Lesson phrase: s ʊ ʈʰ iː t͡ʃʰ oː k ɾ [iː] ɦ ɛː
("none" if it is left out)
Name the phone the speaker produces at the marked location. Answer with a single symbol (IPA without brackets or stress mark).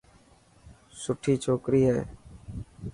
iː